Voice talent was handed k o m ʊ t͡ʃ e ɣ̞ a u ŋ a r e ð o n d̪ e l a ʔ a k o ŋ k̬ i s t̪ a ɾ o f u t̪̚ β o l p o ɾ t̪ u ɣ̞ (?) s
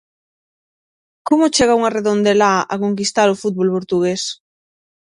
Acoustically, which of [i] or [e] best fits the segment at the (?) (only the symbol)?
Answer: e